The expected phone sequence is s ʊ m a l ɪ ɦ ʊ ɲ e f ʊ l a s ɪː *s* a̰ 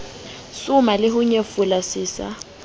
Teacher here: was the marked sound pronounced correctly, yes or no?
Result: yes